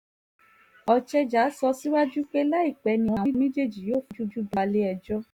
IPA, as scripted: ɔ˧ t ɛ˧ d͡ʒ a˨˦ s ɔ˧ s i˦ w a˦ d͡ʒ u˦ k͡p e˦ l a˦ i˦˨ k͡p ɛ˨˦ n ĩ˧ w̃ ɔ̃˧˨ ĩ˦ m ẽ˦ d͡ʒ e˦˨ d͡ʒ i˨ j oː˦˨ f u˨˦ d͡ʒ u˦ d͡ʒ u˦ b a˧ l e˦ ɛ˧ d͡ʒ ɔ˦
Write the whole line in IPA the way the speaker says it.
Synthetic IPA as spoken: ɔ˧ t͡ʃ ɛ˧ d͡ʒ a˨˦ s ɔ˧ s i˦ w a˦ d͡ʒ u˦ k͡p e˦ l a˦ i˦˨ k͡p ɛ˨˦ n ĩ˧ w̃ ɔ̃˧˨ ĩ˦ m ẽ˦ d͡ʒ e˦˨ d͡ʒ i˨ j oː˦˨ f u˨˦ d͡ʒ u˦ d͡ʒ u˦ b a˧ l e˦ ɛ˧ d͡ʒ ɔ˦